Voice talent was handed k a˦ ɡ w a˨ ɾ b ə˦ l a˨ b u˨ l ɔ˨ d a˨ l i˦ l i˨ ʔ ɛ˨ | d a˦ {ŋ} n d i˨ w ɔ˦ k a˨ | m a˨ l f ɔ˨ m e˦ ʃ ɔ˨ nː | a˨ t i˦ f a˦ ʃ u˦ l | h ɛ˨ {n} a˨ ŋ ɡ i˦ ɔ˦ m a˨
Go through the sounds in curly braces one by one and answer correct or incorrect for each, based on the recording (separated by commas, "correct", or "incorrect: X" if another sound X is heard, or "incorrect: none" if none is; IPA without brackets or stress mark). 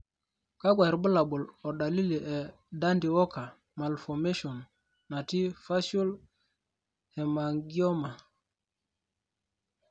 incorrect: none, incorrect: m